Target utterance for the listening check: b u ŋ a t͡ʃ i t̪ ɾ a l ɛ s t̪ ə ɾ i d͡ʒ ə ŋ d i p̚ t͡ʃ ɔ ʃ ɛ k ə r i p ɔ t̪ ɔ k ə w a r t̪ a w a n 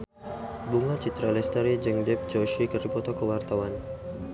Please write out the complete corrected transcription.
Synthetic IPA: b u ŋ a t͡ʃ i t̪ ɾ a l ɛ s t̪ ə ɾ i d͡ʒ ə ŋ d ɛ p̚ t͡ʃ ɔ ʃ i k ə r i p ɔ t̪ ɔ k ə w a r t̪ a w a n